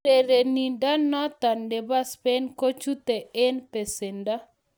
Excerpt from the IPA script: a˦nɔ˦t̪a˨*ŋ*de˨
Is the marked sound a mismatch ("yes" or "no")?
yes